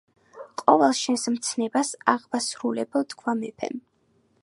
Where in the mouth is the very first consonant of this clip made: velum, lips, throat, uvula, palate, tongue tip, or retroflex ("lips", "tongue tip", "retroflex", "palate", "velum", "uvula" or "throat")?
uvula